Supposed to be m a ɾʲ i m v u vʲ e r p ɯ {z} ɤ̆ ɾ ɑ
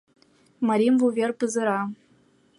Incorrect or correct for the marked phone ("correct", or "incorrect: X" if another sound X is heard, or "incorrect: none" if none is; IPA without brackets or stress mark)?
correct